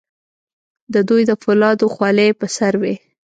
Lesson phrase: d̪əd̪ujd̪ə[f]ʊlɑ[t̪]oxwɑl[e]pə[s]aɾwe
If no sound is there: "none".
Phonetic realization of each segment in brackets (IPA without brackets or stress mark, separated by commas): f, d̪, e, s